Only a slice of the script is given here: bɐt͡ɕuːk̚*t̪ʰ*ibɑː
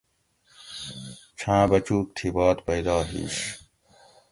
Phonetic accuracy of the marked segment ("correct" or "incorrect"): correct